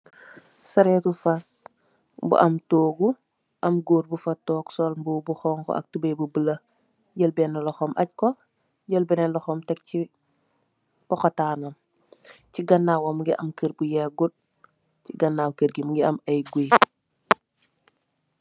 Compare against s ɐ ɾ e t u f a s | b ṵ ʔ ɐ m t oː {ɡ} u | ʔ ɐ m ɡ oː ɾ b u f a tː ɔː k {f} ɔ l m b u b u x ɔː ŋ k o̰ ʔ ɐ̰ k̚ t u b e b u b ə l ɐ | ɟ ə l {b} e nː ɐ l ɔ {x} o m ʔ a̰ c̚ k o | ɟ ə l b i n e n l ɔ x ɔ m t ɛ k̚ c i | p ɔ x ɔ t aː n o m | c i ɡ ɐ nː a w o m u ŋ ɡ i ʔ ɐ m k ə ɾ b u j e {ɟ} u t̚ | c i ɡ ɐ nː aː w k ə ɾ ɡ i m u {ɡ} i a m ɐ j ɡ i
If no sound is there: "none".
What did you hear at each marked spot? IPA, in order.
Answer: ɡ, s, b, x, ɡ, ɡ

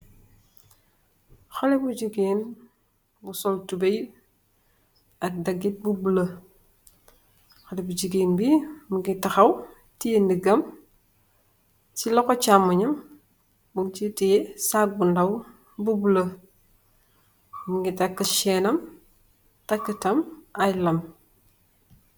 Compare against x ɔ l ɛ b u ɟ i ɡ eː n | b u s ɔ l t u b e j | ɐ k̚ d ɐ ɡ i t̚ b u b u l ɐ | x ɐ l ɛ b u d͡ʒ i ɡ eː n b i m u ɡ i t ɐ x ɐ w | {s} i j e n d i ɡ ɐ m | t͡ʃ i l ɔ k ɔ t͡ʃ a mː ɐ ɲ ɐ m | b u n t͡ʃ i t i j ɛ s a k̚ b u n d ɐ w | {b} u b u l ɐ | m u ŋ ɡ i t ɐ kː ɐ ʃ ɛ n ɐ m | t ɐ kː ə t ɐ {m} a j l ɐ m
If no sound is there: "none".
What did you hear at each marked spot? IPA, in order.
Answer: t, b, m

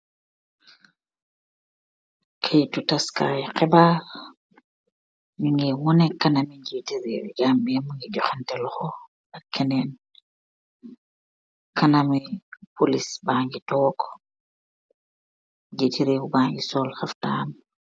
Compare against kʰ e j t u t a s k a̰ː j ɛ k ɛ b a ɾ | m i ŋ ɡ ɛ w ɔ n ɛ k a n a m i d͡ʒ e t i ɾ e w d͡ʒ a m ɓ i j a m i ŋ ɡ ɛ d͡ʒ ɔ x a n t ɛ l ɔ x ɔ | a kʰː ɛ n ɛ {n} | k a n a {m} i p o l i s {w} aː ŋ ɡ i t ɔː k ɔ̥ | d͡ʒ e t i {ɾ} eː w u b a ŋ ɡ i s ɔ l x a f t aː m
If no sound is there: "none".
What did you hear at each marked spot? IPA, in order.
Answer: n, m, b, ɾ

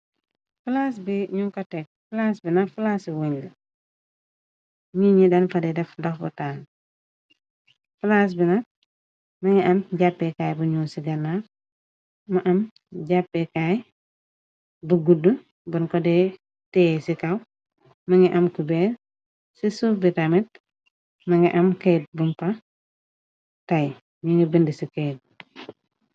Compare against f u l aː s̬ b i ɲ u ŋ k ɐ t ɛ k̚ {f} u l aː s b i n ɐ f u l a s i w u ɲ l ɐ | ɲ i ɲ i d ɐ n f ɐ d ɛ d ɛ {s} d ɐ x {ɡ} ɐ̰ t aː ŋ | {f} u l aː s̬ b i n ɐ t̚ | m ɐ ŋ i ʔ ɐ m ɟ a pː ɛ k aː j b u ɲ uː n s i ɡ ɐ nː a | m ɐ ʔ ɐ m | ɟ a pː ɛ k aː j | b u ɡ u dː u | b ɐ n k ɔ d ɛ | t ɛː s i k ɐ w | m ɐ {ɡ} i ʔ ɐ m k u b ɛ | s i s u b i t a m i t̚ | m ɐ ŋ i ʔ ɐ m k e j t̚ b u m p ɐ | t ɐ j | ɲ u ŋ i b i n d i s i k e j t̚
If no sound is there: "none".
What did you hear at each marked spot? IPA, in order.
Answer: f, f, b, f, ŋ

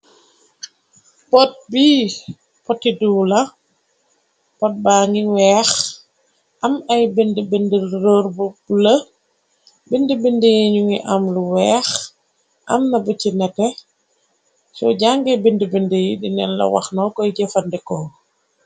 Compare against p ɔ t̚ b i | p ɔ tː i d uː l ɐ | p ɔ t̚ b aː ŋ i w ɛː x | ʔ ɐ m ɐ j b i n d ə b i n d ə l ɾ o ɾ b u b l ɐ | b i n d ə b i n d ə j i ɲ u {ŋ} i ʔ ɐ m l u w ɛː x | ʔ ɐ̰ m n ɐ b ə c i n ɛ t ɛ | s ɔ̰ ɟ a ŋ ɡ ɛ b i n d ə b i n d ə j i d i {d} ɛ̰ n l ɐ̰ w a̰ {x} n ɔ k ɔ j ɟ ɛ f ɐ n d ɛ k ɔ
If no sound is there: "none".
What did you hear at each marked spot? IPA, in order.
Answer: ŋ, n, x

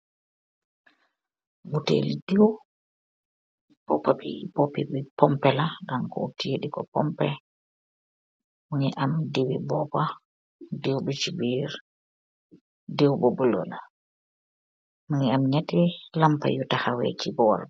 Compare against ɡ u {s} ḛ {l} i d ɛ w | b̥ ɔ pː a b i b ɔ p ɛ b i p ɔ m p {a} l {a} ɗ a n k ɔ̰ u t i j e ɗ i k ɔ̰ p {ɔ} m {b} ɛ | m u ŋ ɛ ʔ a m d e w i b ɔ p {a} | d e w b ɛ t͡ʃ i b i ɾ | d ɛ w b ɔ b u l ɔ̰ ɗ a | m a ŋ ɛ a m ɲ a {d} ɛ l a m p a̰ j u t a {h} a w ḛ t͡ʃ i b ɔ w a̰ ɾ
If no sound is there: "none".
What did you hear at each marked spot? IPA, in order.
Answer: t, l, ɛ, a, ɔ, p, a, t, h

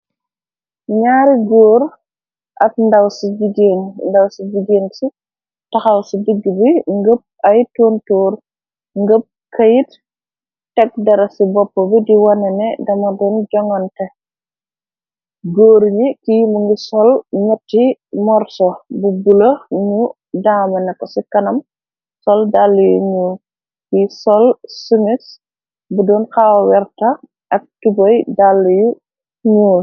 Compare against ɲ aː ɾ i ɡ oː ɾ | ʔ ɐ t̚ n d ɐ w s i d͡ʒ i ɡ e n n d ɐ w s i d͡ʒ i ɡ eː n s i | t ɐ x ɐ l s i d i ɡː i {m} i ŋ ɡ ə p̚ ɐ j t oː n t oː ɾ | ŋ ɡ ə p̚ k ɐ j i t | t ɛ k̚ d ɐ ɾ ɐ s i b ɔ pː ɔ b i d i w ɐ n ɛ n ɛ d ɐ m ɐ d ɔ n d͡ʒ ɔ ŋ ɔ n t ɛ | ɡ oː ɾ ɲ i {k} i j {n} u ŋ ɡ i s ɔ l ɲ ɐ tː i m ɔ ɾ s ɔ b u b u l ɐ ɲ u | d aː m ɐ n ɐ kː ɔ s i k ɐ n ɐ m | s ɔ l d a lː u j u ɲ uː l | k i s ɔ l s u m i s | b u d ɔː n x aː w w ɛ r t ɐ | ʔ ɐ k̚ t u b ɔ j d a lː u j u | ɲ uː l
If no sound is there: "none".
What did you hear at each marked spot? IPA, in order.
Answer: b, k, m

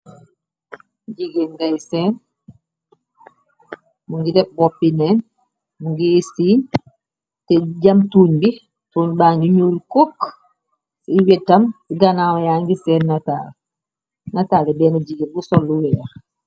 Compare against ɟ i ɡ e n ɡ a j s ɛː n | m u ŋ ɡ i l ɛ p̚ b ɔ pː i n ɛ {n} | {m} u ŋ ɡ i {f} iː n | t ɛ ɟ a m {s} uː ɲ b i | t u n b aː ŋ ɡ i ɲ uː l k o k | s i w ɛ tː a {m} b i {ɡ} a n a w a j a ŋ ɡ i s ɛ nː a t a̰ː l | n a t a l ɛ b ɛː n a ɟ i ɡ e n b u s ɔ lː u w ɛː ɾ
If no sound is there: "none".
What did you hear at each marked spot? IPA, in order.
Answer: n, m, s, t, m, ɡ

